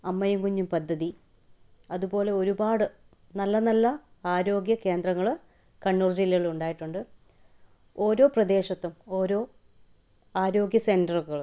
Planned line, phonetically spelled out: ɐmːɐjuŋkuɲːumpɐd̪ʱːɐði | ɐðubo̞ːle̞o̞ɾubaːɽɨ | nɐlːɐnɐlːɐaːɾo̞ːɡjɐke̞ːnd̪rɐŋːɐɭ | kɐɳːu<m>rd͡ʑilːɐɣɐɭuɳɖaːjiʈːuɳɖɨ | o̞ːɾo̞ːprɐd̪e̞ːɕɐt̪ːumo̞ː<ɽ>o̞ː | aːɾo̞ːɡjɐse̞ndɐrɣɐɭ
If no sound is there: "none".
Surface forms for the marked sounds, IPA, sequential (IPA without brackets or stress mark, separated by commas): none, ɾ